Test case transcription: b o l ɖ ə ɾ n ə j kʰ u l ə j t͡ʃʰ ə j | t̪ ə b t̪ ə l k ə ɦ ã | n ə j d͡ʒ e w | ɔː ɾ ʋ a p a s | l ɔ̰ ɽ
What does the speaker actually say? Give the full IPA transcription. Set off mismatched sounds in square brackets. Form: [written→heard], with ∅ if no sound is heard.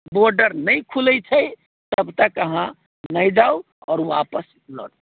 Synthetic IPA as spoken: b o [l→ɾ] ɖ ə ɾ n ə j kʰ u l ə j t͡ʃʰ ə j | t̪ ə b t̪ ə [l→∅] k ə ɦ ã | n ə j d͡ʒ [e→a] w | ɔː ɾ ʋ a p [a→ə] s | l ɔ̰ ɽ